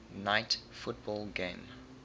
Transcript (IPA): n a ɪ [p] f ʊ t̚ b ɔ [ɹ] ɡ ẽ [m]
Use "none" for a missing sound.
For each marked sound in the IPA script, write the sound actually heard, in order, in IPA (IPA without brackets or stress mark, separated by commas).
t, l, m